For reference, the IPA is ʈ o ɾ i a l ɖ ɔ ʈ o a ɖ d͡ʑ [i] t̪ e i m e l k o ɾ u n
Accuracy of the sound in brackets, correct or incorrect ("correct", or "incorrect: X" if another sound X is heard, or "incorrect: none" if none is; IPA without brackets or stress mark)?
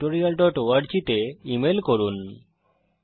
correct